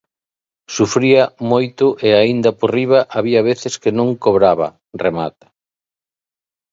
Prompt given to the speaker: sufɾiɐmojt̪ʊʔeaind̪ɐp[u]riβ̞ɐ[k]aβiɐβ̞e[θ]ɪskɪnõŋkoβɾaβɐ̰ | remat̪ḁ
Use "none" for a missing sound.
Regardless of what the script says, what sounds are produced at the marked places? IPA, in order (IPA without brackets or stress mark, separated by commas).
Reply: o, ʔ, θ